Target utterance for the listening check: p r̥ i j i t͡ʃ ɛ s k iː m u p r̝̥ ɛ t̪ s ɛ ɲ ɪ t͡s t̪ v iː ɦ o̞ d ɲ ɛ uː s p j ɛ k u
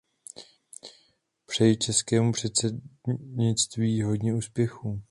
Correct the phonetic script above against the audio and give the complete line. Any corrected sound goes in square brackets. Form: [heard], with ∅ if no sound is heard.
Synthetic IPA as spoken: p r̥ [ɛ] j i t͡ʃ ɛ s k [ɛː] m u p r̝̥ ɛ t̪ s ɛ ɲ ɪ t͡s t̪ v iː ɦ o̞ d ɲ ɛ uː s p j ɛ [x] u